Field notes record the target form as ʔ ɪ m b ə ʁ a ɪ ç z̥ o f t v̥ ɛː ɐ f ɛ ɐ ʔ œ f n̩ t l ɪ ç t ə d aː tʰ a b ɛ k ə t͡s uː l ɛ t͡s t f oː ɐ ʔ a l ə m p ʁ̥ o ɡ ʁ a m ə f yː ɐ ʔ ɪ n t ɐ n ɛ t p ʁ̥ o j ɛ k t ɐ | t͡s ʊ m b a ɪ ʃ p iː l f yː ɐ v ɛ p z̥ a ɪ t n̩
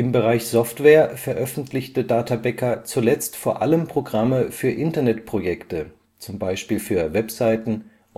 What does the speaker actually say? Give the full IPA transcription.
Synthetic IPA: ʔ ɪ m b ə ʁ a ɪ ç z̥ ɔ f t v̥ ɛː ɐ f ɛ ɐ ʔ œ f n̩ t l ɪ ç t ə d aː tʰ a b ɛ k ɐ t͡s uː l ɛ t͡s t f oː ɐ ʔ a l ə m p ʁ̥ o ɡ ʁ a m ə f yː ɐ ʔ ɪ n t ɐ n ɛ t p ʁ̥ o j ɛ k t ə | t͡s ʊ m b a ɪ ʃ p iː l f yː ɐ v ɛ p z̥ a ɪ t n̩